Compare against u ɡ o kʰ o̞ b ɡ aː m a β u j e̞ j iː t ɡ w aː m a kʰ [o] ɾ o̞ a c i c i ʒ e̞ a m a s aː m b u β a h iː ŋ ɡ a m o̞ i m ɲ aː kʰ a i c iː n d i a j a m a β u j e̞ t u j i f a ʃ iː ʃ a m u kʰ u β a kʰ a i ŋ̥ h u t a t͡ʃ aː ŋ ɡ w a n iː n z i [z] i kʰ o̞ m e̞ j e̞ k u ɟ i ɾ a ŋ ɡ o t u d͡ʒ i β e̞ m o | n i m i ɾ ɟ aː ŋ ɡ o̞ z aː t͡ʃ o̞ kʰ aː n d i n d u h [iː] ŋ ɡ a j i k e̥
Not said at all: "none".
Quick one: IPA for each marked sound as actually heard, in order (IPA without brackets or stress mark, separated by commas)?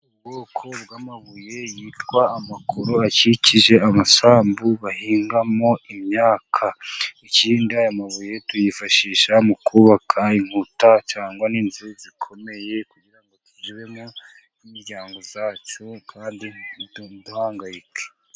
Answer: o, z, aː